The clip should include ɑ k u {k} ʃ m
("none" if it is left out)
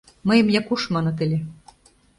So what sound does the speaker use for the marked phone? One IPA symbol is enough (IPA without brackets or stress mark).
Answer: none